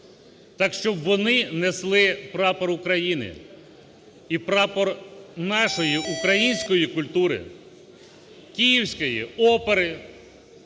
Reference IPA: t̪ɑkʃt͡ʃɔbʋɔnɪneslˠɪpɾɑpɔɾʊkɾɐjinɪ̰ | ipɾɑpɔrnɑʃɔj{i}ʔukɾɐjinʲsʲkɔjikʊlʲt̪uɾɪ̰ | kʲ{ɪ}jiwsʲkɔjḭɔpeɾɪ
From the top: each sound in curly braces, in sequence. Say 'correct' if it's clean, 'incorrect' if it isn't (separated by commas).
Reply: correct, incorrect